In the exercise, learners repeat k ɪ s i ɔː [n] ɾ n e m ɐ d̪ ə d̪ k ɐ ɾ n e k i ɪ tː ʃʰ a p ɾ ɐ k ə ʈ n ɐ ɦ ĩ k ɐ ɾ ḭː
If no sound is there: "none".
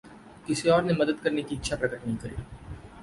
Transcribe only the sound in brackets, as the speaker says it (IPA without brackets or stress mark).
none